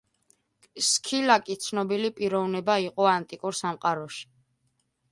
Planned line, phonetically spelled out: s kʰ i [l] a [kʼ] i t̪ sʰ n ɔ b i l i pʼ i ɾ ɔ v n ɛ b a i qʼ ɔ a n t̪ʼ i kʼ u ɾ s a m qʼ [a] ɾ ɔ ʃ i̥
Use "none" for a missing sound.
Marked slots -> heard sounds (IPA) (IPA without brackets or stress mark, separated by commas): l, kʼ, a